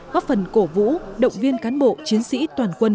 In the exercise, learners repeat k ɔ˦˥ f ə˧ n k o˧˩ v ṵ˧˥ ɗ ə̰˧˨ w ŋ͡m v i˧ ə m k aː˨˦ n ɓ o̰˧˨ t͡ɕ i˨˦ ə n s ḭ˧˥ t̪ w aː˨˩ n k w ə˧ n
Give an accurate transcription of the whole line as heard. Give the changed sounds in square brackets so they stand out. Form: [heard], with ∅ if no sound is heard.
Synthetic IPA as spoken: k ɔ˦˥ f [ə˨˩] n k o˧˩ v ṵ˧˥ ɗ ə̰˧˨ w ŋ͡m v i˧ ə [n] k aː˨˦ n ɓ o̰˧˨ t͡ɕ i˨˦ ə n s ḭ˧˥ t̪ w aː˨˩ n k w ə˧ n